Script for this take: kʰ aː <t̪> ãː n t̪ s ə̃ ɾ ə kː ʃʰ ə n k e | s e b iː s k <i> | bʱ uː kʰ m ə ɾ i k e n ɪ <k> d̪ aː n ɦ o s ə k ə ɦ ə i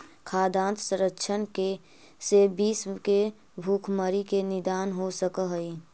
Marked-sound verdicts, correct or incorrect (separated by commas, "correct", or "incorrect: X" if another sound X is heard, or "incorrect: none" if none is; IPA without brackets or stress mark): incorrect: d̪, incorrect: e, incorrect: none